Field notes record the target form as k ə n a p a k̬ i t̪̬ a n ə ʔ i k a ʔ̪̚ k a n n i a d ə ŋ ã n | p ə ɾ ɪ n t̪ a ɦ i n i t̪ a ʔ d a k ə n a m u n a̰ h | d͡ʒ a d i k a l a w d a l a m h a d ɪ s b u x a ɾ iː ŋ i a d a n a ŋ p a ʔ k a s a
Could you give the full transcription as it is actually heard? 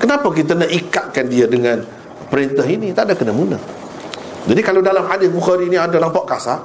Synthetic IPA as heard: k ə n a p a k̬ i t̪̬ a n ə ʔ i k a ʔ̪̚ k a n d i a d ə ŋ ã n | p ə ɾ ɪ n t̪ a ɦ i n i t̪ a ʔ d a k ə n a m u n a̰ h | d͡ʒ a d i k a l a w d a l a m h a d ɪ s b u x a ɾ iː n i a d a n a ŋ p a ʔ k a s a